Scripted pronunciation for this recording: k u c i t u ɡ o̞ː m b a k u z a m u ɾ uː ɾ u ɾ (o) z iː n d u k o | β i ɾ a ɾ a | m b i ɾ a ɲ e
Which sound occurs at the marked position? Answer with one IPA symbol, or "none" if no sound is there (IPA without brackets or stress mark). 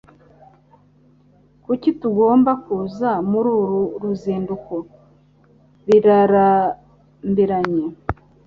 u